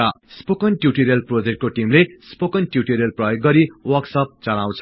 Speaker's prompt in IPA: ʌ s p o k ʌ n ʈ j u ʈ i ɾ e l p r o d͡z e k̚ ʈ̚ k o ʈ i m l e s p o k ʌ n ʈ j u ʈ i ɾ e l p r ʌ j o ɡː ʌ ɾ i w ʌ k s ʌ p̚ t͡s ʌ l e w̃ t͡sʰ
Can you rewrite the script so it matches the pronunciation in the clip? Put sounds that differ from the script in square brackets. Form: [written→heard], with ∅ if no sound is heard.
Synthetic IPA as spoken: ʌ s p o k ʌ n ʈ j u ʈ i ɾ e l p r o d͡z e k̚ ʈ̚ k o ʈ i m l e s p o k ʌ n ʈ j u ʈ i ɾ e l p r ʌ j o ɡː ʌ ɾ i w ʌ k s ʌ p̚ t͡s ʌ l [e→a] w̃ t͡sʰ